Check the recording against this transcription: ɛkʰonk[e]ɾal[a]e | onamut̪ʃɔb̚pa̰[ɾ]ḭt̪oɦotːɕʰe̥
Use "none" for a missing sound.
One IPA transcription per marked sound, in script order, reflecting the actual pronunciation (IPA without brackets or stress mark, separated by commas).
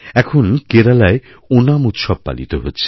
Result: e, a, l